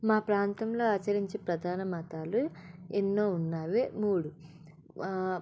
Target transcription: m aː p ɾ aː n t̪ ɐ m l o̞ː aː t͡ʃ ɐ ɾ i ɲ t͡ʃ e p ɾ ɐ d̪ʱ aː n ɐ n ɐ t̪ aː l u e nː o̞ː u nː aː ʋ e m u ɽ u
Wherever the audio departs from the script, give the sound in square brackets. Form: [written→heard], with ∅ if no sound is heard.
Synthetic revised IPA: m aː p ɾ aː n t̪ ɐ m l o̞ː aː t͡ʃ ɐ ɾ i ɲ t͡ʃ e p ɾ ɐ d̪ʱ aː n ɐ [n→m] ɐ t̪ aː l u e nː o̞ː u nː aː ʋ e m [u→uː] ɽ u